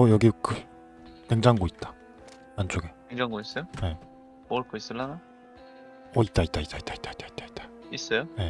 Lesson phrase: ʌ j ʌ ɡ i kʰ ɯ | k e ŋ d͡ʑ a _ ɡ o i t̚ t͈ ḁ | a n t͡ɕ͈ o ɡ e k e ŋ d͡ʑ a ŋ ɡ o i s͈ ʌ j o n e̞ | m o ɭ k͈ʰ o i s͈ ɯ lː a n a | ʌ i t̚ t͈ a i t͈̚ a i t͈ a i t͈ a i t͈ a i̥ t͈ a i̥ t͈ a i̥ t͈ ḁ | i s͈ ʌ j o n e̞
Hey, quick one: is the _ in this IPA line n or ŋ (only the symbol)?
ŋ